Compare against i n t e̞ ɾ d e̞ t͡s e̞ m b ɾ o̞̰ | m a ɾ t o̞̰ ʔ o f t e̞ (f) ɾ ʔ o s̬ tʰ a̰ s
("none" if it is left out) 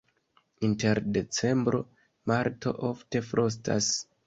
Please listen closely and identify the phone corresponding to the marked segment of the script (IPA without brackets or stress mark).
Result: f